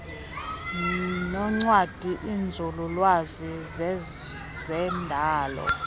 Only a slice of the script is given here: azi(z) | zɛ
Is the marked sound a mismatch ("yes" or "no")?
no